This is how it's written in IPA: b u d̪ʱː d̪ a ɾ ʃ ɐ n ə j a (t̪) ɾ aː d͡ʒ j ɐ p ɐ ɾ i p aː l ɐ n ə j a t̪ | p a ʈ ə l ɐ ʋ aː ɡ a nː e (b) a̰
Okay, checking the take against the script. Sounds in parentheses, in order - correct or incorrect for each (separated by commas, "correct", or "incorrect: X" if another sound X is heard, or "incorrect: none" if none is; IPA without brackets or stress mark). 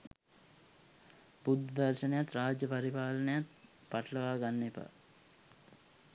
correct, incorrect: p